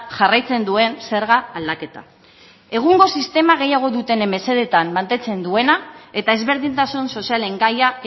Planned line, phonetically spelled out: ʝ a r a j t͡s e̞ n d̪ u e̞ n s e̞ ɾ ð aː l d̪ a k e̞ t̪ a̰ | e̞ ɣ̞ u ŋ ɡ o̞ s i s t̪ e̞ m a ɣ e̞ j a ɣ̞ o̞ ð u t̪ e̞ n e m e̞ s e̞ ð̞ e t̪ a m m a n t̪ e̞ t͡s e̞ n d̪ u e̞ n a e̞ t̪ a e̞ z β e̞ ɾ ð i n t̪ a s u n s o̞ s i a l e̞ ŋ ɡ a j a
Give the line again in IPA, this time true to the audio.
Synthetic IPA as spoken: ʝ a r a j t͡s e̞ n d̪ u e̞ n s e̞ ɾ ɣ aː l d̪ a k e̞ t̪ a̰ | e̞ ɣ̞ u ŋ ɡ o̞ s i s t̪ e̞ m a ɣ e̞ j a ɣ̞ o̞ ð u t̪ e̞ n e m e̞ s e̞ ð̞ e t̪ a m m a n t̪ e̞ t͡s e̞ n d̪ u e̞ n a e̞ t̪ a e̞ z β e̞ ɾ ð i n t̪ a s u n s o̞ s i a l e̞ ŋ ɡ a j a